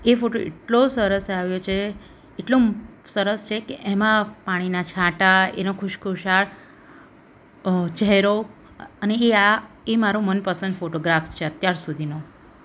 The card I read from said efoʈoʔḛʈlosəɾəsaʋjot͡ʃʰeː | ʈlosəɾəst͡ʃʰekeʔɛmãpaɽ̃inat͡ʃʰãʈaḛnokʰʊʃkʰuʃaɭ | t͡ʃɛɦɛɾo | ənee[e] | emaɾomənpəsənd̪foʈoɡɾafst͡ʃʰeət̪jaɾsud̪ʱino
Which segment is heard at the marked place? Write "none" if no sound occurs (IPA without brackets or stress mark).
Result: a